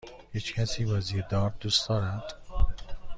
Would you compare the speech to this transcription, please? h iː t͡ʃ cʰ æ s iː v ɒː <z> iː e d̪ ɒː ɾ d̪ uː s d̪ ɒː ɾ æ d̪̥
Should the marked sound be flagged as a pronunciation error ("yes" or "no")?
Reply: no